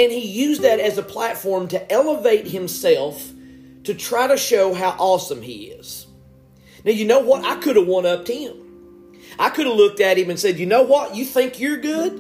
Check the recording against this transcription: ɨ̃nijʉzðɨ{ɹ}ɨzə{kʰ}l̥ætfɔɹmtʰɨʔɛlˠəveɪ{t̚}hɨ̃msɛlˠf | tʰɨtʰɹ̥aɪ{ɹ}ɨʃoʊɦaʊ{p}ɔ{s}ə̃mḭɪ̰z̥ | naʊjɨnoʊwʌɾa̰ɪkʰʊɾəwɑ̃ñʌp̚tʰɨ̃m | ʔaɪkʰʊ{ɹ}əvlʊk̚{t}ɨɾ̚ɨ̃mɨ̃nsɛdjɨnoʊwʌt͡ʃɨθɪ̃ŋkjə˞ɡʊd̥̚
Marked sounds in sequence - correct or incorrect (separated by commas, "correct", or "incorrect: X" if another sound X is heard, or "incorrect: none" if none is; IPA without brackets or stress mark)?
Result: incorrect: ɾ, incorrect: pʰ, correct, incorrect: ɾ, incorrect: ʔ, correct, incorrect: ɾ, correct